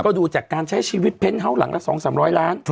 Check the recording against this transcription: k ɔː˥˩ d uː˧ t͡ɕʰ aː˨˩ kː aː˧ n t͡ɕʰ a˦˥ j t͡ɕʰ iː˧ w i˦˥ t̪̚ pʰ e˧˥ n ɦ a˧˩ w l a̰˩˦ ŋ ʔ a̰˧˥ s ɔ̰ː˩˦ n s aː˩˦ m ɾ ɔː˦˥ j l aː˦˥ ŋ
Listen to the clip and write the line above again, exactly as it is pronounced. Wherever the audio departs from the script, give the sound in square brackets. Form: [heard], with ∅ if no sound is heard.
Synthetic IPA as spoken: k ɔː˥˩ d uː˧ [t͡ɕ] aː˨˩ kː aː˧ n t͡ɕʰ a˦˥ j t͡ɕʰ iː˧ w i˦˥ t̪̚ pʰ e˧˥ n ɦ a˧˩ w l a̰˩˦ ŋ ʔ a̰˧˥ s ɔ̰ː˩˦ [ŋ] s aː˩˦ m ɾ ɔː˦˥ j l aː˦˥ [n]